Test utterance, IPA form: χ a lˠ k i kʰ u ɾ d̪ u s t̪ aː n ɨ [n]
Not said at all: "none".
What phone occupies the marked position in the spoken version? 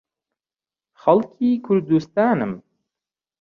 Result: m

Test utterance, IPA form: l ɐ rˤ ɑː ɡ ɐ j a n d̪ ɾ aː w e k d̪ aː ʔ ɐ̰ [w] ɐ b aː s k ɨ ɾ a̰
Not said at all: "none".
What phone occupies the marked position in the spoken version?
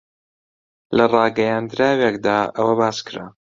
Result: w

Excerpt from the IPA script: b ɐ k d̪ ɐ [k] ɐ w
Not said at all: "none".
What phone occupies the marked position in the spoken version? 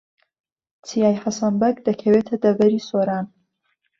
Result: kʰ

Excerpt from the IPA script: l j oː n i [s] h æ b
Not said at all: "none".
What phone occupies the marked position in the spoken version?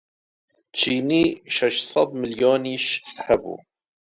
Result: ʃ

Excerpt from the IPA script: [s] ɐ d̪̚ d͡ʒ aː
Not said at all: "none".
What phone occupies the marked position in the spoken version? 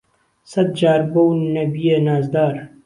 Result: s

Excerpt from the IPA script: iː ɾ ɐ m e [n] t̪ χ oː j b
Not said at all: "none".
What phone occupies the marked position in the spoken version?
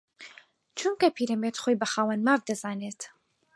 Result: none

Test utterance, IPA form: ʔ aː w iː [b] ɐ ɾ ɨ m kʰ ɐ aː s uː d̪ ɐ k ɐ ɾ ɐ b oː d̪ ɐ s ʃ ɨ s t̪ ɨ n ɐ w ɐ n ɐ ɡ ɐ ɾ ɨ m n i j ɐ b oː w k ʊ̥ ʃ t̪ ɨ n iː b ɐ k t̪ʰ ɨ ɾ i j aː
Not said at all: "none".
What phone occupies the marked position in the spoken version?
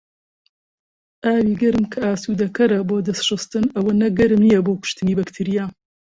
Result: ɡ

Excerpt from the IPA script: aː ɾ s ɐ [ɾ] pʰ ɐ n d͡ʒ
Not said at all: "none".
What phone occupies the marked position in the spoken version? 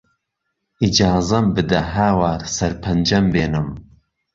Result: ɾ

